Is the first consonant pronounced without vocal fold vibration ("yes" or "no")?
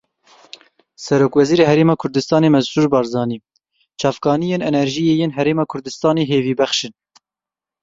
yes